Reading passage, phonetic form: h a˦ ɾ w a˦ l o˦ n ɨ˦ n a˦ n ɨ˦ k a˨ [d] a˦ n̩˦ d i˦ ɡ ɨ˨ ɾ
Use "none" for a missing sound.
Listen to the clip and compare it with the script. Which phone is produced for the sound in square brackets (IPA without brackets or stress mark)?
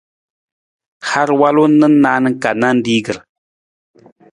n